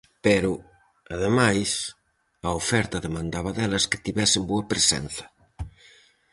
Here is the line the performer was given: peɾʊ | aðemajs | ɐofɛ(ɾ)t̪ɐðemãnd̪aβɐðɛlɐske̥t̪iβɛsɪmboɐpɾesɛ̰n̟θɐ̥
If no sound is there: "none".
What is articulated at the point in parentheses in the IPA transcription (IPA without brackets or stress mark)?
ɾ